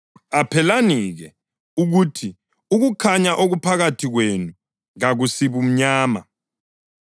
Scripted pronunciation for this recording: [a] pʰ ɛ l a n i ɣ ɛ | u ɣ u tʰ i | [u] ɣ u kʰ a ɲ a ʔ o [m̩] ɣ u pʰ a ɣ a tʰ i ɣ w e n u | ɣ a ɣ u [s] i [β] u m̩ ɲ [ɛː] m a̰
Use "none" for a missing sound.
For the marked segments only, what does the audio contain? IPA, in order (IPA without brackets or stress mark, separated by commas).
a, u, none, s, β, aː